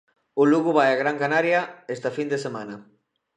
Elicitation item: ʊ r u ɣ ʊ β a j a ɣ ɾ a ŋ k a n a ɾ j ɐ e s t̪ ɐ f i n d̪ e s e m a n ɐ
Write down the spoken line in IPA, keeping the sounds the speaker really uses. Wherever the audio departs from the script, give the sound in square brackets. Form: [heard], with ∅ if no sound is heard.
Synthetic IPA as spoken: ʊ [l] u ɣ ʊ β a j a ɣ ɾ a ŋ k a n a ɾ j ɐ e s t̪ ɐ f i n d̪ e s e m a n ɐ